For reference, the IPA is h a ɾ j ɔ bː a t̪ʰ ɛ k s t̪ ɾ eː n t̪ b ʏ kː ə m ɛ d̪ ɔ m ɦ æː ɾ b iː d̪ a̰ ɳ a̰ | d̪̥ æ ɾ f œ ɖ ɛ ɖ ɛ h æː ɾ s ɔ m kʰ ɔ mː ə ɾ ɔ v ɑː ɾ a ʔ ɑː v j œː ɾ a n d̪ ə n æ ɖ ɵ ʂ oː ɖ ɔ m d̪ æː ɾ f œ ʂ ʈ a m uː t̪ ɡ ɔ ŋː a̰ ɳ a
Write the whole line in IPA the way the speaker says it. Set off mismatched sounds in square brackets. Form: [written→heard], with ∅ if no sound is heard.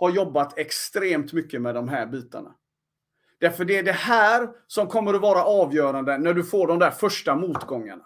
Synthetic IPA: h a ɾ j ɔ bː a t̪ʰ ɛ k s t̪ ɾ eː [n→m] t̪ [b→m] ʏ kː ə m ɛ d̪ ɔ m ɦ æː ɾ b iː [d̪→t̪] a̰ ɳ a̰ | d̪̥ æ ɾ f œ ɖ ɛ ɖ ɛ h æː ɾ s ɔ m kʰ ɔ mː ə ɾ ɔ v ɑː ɾ a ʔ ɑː v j œː ɾ a n d̪ ə n æ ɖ ɵ [ʂ→f] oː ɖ ɔ m d̪ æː ɾ f œ ʂ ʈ a m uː t̪ ɡ ɔ ŋː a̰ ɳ a